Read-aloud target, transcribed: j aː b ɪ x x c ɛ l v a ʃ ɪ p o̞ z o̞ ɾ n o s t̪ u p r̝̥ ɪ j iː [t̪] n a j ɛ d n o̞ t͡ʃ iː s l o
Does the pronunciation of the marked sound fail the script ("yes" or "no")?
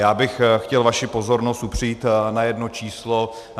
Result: no